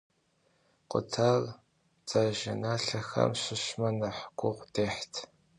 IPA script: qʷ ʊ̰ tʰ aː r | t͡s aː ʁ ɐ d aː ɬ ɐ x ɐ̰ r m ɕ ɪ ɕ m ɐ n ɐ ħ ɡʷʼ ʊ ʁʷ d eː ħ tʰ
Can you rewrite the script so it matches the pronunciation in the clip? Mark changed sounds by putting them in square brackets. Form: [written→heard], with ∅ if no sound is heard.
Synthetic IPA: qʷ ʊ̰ tʰ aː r | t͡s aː [ʁ→ʒ] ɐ [d→n] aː ɬ ɐ x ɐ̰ [r→∅] m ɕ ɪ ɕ m ɐ n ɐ ħ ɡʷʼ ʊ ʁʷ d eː ħ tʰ